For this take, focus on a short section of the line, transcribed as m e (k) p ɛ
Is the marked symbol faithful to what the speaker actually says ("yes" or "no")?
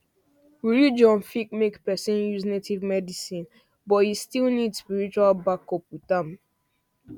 yes